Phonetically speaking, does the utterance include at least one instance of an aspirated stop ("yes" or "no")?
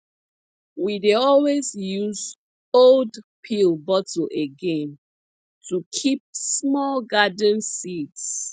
yes